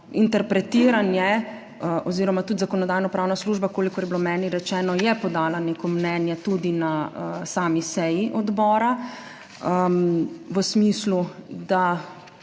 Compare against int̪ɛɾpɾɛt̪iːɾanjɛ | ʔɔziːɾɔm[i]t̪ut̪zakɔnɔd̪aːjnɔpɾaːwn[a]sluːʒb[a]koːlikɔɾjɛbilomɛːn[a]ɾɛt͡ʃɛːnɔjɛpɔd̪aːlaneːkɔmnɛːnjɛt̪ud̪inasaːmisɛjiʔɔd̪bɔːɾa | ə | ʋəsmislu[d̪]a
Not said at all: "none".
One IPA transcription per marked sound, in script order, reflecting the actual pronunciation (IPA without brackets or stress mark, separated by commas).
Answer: a, a, a, i, d̪